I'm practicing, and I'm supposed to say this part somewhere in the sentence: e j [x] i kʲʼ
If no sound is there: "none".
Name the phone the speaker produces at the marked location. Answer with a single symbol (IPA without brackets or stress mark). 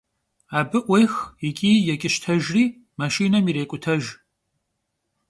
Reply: x